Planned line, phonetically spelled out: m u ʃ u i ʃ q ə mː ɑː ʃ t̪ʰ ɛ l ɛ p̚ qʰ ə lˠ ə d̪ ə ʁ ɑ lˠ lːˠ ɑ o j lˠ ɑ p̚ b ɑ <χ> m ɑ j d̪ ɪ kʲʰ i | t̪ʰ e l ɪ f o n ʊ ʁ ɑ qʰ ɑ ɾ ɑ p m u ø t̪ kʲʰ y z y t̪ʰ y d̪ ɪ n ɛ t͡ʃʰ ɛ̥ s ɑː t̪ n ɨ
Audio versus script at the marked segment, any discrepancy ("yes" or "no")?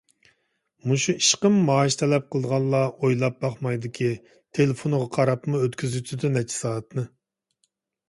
no